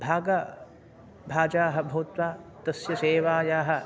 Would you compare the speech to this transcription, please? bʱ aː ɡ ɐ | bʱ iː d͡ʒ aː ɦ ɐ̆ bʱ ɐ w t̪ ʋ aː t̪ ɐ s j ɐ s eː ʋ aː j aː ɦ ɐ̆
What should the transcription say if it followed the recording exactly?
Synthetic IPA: bʱ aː ɡ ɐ | bʱ aː d͡ʒ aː ɦ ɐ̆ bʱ ɐ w t̪ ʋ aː t̪ ɐ s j ɐ s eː ʋ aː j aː ɦ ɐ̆